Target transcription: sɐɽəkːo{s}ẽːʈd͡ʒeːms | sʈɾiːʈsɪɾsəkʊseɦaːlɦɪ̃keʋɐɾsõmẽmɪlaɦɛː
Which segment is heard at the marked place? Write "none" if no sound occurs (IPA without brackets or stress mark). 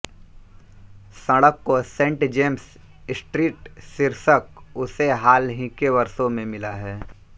s